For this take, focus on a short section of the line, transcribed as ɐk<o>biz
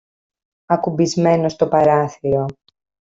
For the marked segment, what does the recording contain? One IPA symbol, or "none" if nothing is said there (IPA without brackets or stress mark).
u